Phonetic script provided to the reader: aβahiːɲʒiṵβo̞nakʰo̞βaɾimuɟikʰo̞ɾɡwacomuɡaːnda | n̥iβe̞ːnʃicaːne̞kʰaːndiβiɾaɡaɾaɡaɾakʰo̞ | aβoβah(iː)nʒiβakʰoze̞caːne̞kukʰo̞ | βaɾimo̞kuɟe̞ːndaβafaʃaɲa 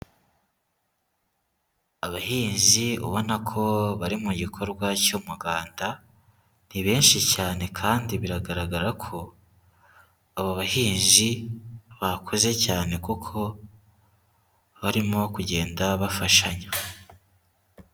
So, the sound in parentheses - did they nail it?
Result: yes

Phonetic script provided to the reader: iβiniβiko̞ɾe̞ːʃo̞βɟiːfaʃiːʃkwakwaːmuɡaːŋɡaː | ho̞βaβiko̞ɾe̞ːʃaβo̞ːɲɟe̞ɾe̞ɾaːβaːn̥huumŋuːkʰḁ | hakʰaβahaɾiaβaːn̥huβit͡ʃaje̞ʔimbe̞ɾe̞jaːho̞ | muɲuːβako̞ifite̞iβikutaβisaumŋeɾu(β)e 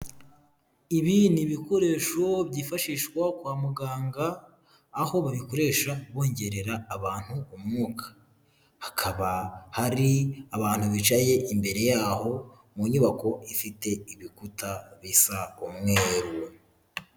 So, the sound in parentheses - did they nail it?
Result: no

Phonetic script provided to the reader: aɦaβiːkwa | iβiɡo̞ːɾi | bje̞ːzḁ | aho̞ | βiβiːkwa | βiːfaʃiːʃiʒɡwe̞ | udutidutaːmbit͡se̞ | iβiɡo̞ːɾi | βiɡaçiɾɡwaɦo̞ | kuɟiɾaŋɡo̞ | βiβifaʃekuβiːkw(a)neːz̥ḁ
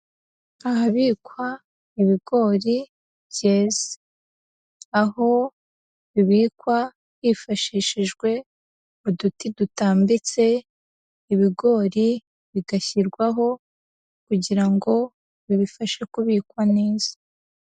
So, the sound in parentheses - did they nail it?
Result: yes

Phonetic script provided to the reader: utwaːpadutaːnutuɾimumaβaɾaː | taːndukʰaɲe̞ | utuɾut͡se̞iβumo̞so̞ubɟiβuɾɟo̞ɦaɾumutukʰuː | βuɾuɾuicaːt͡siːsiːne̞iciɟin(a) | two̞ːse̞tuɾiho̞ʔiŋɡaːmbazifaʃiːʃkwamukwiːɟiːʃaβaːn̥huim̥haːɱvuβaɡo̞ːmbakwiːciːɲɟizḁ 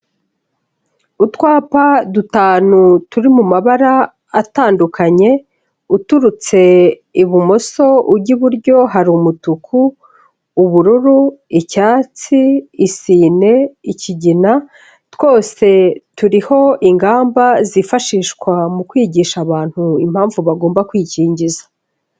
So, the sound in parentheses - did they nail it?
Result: yes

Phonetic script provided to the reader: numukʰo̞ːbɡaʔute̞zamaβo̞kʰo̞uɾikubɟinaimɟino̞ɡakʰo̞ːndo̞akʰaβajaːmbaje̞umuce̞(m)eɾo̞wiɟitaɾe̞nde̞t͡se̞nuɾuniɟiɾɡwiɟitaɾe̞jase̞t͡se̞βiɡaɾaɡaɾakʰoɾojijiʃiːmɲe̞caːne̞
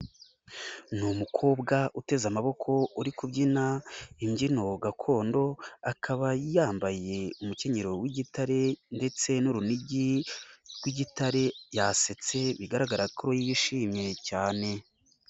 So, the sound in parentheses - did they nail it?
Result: no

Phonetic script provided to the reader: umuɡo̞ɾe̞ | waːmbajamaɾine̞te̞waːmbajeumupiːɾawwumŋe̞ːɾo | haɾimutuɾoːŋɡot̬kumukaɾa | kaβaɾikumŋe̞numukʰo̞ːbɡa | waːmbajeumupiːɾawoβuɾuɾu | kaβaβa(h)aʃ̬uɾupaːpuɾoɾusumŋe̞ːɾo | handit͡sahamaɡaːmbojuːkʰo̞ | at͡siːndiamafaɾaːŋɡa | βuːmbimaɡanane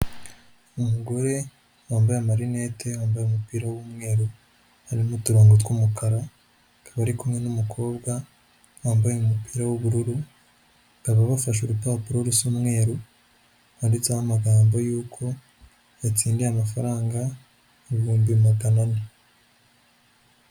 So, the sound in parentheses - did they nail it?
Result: no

